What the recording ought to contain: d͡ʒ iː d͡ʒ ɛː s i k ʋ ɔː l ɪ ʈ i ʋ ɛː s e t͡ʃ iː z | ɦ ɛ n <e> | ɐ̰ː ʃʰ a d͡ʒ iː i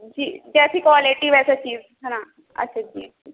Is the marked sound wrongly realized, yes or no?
yes